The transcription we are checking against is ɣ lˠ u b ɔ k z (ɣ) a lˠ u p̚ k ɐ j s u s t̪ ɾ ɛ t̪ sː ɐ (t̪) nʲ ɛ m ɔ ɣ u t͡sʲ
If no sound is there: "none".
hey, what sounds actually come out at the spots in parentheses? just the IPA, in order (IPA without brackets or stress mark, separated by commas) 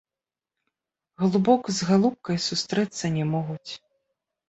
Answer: ɣ, none